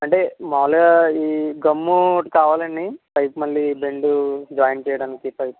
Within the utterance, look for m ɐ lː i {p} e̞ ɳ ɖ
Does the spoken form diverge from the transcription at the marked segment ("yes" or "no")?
yes